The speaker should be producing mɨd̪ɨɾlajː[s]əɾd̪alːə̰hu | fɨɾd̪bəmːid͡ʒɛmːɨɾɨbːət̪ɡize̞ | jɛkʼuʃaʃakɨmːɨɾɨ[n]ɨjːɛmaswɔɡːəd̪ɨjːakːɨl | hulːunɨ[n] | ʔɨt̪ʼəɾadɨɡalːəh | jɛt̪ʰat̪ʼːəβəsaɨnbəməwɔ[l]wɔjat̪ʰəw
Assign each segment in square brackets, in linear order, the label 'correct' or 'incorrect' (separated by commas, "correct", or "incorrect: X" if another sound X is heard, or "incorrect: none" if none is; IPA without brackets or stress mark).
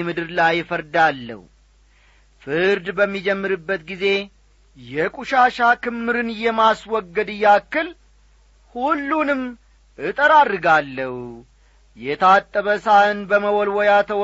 incorrect: f, correct, incorrect: m, correct